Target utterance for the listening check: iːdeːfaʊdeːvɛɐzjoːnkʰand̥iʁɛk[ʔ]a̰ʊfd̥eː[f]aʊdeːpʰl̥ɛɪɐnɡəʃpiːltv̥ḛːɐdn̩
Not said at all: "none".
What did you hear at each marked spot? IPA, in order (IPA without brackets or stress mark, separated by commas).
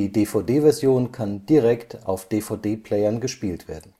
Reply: t, f